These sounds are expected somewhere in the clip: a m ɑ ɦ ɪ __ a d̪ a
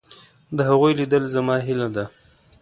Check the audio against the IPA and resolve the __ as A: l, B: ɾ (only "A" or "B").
A